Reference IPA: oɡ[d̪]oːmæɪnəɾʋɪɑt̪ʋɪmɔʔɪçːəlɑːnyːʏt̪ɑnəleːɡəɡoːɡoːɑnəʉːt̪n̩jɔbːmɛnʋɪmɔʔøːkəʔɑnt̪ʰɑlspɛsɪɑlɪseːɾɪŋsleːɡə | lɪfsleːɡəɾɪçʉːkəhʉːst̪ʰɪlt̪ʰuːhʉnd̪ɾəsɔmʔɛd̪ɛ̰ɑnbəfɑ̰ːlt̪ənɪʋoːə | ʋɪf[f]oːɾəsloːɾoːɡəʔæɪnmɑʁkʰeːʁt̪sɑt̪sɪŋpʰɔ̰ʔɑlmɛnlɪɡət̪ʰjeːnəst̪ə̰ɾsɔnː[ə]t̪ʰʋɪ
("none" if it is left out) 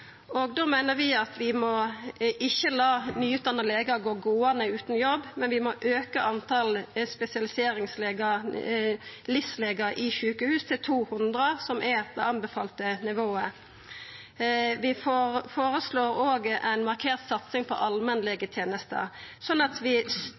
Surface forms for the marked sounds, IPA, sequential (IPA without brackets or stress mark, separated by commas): d̪, f, ɑ